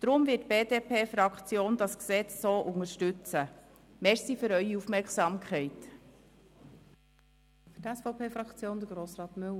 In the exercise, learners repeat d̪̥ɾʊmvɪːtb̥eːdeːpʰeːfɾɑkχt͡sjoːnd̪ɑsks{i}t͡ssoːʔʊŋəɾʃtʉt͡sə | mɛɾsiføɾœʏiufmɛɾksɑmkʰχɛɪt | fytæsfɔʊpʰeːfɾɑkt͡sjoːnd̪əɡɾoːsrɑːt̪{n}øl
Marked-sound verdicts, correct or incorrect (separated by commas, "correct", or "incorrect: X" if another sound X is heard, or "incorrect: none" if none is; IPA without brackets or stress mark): incorrect: ɛ, incorrect: m